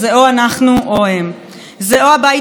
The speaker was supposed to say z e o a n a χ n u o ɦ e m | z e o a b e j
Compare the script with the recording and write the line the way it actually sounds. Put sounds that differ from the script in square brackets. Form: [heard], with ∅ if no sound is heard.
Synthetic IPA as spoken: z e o a n a χ n u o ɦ e m | z e o a b [a] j